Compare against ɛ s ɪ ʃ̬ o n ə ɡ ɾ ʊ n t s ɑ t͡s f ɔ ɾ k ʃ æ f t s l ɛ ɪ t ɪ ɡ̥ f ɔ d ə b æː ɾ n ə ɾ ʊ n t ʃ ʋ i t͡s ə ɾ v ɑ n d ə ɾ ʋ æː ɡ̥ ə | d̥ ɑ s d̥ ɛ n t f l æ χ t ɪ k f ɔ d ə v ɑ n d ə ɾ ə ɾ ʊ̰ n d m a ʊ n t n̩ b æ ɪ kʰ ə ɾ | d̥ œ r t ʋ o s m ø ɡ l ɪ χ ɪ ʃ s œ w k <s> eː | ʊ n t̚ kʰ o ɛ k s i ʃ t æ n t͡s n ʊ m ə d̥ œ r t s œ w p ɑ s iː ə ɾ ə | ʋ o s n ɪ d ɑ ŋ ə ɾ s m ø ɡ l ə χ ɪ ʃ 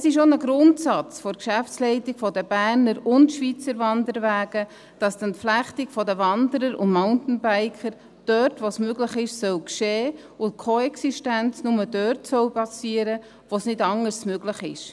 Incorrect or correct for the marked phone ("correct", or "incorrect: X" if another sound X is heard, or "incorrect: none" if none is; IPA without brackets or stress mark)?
incorrect: ʃ